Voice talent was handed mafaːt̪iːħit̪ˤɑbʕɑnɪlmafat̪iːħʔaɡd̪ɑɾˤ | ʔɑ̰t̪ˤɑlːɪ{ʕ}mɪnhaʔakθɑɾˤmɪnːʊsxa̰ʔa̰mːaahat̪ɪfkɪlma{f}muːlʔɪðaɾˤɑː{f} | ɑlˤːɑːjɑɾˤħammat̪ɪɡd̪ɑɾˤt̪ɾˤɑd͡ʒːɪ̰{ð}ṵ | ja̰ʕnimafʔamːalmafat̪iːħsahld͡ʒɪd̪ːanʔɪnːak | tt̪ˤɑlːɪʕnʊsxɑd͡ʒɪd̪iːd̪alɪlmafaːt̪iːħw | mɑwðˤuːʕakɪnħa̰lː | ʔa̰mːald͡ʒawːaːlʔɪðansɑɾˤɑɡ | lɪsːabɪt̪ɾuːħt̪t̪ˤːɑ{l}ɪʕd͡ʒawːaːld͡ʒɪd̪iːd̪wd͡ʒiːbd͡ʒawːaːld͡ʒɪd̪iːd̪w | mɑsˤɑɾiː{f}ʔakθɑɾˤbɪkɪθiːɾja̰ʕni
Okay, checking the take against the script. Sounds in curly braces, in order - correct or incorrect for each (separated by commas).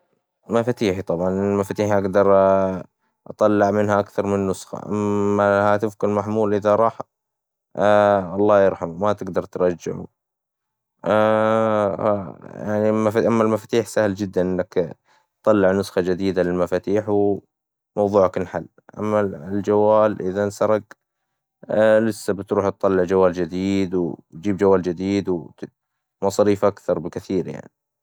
correct, incorrect, incorrect, incorrect, incorrect, correct